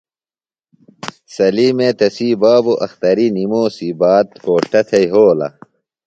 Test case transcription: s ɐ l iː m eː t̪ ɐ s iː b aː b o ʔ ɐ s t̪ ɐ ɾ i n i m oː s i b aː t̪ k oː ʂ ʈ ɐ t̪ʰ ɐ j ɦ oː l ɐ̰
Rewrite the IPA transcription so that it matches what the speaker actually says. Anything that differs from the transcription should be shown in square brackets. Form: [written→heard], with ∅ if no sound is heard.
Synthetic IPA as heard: s ɐ l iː m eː t̪ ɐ s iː b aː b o ʔ ɐ [s→x] t̪ ɐ ɾ i n i m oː s i b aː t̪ k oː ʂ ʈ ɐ t̪ʰ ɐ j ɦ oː l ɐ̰